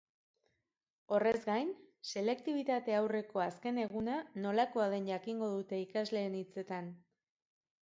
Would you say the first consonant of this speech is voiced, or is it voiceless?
voiced